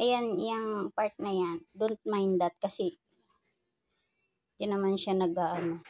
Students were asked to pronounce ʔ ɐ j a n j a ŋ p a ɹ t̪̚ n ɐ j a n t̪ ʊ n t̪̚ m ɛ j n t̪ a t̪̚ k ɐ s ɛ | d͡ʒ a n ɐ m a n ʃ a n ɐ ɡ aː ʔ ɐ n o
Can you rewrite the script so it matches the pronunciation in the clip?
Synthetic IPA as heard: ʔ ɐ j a n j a ŋ p a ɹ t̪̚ n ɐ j a n d̪ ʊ n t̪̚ m a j n d̪ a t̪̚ k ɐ s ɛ | d͡ʒ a n ɐ m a n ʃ a n ɐ ɡ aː ʔ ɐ n o